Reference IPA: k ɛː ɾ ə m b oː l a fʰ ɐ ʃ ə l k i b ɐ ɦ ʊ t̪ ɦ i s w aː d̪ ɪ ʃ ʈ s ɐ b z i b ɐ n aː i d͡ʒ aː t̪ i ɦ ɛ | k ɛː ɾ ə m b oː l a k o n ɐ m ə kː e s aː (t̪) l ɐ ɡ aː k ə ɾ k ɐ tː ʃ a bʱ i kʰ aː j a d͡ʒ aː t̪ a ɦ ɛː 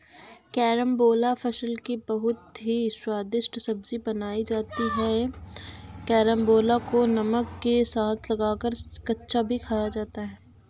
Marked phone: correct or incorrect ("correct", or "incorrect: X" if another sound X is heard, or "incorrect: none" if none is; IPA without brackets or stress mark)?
incorrect: t̪ʰ